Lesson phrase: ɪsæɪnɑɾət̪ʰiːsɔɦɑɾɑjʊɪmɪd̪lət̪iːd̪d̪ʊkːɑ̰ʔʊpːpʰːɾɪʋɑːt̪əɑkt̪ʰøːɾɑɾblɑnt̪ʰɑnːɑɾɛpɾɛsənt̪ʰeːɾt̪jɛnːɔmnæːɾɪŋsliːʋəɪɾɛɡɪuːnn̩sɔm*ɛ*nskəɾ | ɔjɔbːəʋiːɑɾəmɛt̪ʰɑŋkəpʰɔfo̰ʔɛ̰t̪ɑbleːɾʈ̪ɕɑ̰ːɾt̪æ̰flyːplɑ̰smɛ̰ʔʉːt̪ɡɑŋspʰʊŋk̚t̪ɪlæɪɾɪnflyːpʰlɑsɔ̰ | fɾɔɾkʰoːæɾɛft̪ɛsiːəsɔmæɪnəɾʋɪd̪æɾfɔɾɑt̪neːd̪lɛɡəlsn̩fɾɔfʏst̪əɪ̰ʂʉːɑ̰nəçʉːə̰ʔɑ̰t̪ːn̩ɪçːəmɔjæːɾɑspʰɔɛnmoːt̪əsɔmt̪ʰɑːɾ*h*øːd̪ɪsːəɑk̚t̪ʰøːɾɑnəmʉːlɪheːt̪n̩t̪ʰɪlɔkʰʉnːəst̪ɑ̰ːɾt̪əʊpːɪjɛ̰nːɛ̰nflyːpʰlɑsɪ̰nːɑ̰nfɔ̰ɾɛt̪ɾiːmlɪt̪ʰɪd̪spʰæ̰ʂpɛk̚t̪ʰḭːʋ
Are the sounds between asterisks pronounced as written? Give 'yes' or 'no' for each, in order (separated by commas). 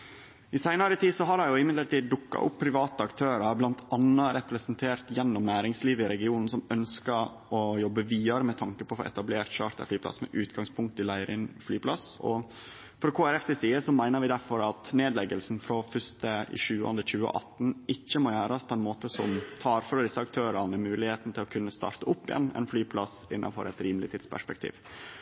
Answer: no, no